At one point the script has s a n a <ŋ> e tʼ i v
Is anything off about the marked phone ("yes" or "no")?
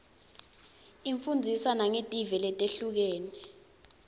no